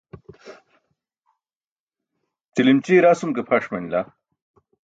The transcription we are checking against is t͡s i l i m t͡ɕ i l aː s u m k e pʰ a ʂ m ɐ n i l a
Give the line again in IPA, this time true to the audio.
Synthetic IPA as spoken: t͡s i l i m t͡ɕ i ɾ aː s u m k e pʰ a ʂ m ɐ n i l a